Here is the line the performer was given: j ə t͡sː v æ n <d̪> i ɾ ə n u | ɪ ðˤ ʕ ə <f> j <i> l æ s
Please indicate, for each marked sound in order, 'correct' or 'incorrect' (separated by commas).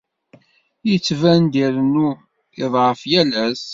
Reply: correct, correct, incorrect